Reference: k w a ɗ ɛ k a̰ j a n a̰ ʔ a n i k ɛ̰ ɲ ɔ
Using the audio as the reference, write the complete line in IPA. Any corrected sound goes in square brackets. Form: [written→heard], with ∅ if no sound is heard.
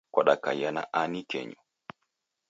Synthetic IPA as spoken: k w a ɗ [ɛ→a] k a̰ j a n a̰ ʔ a n i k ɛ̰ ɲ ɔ